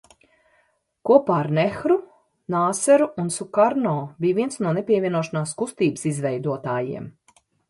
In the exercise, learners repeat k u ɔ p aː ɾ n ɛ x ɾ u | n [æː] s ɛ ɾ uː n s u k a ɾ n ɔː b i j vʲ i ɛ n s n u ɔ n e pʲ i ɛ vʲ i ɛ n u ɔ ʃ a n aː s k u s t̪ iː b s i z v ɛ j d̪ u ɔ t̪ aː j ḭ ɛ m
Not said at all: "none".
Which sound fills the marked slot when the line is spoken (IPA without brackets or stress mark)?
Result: aː